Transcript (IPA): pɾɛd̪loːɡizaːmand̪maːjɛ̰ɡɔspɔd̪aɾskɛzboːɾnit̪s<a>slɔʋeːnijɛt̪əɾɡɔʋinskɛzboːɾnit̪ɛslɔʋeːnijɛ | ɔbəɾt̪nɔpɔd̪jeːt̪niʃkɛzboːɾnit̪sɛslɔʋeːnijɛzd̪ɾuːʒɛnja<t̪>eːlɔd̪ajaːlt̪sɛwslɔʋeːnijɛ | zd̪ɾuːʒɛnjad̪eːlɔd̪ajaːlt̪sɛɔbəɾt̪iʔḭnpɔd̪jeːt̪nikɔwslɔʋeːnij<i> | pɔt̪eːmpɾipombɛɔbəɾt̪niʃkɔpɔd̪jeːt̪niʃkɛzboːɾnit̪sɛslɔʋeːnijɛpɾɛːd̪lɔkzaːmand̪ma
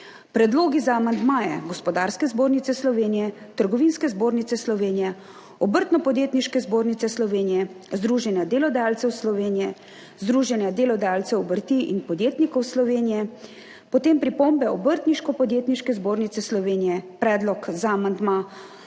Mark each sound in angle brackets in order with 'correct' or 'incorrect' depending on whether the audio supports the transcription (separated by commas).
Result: incorrect, incorrect, incorrect